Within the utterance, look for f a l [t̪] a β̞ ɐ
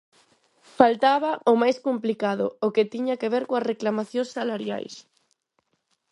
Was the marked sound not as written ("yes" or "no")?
no